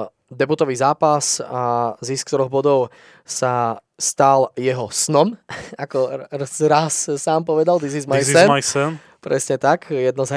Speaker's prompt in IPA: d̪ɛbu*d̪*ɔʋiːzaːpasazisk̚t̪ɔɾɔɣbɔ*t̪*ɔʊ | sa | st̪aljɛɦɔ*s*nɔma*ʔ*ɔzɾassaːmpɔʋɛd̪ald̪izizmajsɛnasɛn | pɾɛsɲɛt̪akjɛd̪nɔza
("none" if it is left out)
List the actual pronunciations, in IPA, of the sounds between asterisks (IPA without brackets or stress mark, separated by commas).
t̪, d̪, s, k